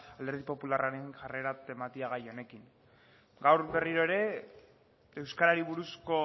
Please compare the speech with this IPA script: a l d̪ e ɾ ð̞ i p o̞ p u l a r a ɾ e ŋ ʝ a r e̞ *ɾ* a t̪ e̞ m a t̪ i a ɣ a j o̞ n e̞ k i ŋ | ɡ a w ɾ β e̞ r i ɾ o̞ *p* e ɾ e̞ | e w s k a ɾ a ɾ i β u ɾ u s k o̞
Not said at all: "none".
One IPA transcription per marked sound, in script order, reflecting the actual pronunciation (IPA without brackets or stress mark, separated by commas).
ɾ, none